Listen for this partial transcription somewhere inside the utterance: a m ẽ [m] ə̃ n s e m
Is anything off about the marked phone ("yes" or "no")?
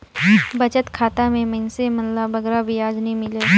no